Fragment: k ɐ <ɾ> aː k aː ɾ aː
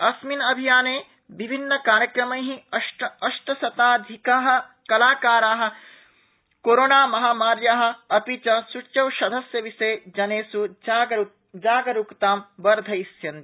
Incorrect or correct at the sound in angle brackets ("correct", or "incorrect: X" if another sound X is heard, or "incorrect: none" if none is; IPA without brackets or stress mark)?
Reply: incorrect: l